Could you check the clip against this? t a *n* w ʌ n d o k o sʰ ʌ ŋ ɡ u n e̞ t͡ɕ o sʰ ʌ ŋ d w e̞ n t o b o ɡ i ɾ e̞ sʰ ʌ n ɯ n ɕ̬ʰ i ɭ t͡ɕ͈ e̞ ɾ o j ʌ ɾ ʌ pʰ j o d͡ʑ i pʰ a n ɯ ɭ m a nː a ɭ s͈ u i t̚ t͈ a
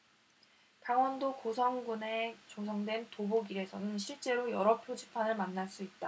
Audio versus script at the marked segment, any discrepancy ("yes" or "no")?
yes